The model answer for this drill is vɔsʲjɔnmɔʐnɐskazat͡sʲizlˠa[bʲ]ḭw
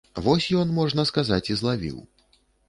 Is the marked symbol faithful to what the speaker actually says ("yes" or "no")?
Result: no